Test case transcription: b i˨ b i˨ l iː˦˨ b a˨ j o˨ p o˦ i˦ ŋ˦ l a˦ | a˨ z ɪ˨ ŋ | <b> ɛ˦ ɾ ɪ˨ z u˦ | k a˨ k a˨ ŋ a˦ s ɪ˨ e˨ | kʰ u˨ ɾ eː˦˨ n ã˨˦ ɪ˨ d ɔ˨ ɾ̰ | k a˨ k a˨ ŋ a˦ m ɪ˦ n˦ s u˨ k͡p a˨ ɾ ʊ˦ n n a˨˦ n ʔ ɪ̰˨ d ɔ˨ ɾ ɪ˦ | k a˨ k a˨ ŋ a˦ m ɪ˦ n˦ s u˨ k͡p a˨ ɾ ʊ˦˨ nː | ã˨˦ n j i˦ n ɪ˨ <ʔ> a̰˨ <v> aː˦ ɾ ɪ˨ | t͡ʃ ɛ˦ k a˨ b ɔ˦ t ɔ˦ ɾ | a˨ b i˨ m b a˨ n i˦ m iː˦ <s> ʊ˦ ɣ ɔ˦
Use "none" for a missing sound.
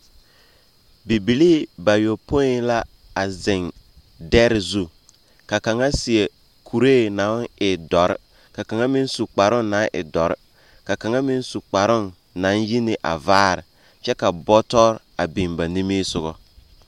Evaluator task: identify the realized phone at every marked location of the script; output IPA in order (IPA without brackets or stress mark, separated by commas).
d, ʔ, v, s